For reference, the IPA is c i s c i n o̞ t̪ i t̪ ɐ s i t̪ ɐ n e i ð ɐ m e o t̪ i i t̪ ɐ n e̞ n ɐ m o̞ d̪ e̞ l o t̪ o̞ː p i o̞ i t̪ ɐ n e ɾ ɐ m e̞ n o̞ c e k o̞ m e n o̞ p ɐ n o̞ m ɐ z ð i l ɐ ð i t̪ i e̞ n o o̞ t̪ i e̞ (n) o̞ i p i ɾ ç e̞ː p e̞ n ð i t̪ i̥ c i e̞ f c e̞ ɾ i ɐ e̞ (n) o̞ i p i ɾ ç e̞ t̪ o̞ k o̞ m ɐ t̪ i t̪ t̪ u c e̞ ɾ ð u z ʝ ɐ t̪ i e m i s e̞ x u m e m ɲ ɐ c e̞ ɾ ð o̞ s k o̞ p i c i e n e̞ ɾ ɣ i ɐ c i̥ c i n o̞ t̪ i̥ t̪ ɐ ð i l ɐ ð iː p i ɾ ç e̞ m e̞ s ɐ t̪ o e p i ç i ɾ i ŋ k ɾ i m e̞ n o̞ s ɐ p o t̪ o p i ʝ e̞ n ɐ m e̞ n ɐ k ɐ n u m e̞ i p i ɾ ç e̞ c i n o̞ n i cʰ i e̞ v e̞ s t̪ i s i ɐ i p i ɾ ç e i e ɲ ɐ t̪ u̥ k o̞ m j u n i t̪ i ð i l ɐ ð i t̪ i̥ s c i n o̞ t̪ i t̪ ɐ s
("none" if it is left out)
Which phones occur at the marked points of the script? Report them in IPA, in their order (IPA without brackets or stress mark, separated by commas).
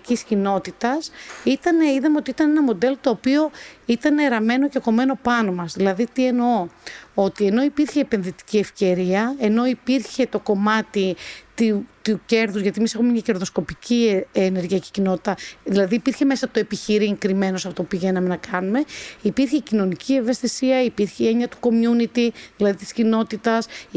n, n